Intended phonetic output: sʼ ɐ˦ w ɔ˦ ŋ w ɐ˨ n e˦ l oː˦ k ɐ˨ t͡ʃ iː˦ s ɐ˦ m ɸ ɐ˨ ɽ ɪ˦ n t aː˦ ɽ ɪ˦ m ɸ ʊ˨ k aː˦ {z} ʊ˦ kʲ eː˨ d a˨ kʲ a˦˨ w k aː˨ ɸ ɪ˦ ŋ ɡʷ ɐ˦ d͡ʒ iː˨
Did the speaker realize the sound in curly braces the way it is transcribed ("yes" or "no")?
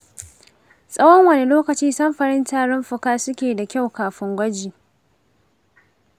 no